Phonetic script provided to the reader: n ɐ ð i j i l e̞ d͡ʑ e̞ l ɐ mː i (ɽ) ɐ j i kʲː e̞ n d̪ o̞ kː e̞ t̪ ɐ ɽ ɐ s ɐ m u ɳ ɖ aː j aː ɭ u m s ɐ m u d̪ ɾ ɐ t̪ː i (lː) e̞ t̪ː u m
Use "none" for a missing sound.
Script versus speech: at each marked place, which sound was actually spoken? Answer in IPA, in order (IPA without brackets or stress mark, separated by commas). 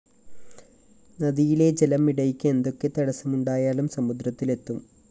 ɽ, l